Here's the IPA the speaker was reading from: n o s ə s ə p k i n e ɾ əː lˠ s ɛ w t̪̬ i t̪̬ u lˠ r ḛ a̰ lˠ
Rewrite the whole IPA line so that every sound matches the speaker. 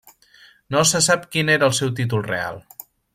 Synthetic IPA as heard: n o s ə s a p k i n e ɾ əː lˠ s ɛ w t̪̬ i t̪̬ u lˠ r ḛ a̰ lˠ